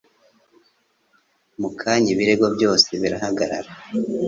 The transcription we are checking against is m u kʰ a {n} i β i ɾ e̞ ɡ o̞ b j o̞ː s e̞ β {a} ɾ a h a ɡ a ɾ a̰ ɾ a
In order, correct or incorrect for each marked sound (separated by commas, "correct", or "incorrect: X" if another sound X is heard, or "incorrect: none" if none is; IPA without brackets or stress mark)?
incorrect: ɲ, incorrect: i